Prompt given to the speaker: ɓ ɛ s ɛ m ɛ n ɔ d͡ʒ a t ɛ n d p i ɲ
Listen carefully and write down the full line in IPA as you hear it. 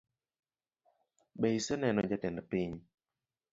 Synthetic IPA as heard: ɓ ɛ s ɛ n ɛ n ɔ d͡ʒ a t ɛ n d p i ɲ